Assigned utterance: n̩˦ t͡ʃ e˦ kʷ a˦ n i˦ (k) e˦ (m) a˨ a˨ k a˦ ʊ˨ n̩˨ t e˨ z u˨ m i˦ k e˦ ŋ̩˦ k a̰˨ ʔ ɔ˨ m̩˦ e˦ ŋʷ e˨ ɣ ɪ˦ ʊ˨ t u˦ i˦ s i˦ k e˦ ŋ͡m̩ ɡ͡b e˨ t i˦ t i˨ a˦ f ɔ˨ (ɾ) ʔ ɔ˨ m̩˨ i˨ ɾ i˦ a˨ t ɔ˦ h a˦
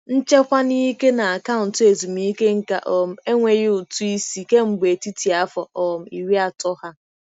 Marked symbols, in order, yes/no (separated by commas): yes, no, no